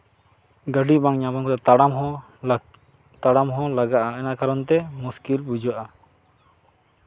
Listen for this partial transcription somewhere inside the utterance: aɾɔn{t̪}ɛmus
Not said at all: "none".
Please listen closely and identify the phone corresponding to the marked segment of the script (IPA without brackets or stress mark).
t̪